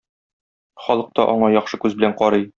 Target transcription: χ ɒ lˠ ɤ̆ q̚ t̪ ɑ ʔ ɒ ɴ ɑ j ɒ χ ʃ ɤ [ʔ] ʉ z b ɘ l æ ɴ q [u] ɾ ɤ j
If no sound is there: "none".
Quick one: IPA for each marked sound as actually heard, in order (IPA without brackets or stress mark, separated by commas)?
k, ɒ